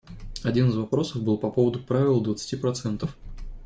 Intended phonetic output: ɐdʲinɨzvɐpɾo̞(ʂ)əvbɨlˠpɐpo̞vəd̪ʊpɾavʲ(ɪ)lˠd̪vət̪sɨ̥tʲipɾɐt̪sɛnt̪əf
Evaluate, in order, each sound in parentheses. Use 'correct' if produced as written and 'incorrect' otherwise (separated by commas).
incorrect, correct